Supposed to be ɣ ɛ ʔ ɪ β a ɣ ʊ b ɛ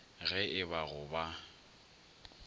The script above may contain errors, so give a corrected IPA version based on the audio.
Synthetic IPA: ɣ ɛ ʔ ɪ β a ɣ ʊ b a